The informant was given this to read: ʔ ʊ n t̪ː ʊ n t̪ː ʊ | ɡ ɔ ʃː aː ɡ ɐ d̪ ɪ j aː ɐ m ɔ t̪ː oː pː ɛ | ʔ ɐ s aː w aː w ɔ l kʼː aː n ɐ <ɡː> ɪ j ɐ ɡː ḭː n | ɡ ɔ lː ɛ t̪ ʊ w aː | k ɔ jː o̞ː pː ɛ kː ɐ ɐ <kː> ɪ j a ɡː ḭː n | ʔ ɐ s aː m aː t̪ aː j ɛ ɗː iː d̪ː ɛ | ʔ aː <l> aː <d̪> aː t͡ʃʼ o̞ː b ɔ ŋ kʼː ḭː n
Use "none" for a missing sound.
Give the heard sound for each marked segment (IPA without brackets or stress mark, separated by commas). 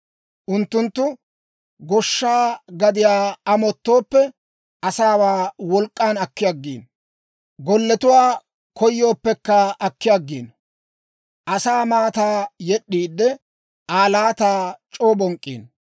kː, kː, l, t̪